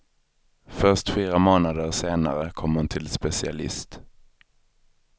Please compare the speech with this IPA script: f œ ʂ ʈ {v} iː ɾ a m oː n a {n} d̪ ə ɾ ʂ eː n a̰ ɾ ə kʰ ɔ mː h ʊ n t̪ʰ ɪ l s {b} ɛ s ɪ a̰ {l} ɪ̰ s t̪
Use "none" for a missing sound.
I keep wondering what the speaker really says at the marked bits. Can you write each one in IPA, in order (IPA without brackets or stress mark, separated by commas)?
f, none, p, l